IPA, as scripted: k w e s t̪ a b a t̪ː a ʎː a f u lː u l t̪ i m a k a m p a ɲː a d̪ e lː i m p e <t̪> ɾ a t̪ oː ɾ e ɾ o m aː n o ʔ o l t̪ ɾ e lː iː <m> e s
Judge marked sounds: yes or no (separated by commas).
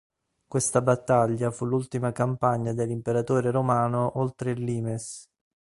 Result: no, yes